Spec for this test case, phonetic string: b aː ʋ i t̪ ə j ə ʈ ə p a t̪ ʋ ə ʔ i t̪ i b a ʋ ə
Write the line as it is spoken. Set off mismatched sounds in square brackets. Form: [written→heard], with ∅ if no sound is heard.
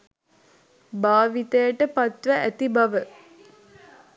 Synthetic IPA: b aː ʋ i t̪ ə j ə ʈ ə p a t̪ ʋ ə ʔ [i→æ] t̪ i b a ʋ ə

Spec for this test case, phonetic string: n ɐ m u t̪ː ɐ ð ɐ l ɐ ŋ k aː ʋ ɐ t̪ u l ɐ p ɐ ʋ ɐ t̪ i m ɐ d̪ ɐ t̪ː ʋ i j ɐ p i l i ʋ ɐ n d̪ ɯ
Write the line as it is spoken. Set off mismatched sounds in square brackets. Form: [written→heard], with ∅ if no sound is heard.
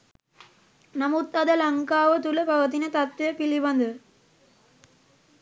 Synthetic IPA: n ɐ m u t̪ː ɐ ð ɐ l ɐ ŋ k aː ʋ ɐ t̪ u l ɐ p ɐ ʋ ɐ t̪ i [m→n] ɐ [d̪→t̪] ɐ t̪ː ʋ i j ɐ p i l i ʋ ɐ n d̪ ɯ

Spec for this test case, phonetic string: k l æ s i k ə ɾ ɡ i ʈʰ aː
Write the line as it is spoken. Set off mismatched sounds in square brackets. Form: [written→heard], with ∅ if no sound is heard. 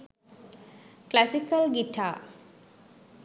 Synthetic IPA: k l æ s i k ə [ɾ→l] ɡ i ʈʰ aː

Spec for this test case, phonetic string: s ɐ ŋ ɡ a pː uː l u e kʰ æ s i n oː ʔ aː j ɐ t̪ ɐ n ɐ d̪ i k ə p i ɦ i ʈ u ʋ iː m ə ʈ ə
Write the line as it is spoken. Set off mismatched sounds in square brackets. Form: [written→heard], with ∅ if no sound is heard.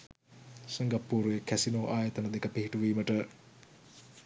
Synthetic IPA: s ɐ ŋ ɡ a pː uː [l→ɾ] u e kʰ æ s i n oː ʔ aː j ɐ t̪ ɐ n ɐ d̪ [i→e] k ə p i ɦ i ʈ u ʋ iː m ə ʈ ə

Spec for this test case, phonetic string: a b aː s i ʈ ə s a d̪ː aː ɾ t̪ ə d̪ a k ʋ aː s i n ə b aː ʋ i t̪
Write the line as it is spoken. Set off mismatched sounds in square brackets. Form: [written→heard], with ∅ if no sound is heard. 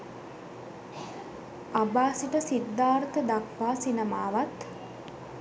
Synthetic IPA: a b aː s i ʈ ə s [a→i] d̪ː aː ɾ t̪ ə d̪ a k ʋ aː s i n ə [b→m] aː ʋ [i→a] t̪

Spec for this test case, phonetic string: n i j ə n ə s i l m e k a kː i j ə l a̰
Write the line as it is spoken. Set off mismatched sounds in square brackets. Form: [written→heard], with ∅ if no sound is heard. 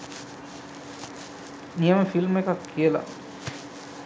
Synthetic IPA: n i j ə [n→m] ə [s→f] i l m e k a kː i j ə l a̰

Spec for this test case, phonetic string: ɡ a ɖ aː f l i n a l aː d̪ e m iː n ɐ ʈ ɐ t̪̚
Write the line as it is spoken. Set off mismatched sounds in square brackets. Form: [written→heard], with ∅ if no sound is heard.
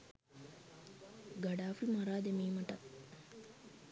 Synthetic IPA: ɡ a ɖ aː f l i [n→m] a [l→ɾ] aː d̪ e m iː [n→m] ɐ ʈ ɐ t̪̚

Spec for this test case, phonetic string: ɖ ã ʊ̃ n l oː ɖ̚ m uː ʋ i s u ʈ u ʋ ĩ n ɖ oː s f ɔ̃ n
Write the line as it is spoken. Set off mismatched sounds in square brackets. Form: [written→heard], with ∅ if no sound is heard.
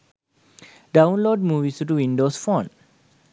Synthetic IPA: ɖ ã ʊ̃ n l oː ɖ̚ m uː ʋ i s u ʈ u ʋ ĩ n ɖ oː s f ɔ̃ n

